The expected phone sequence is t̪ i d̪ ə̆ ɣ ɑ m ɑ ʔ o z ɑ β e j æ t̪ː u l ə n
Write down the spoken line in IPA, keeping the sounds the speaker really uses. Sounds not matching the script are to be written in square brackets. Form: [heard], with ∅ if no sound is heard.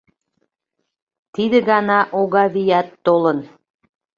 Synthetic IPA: t̪ i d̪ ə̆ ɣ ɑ [n] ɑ ʔ o [ɣ] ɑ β [i] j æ t̪ː [o] l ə n